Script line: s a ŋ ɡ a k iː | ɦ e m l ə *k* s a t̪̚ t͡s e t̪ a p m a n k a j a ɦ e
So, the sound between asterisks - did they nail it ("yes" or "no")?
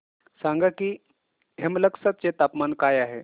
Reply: yes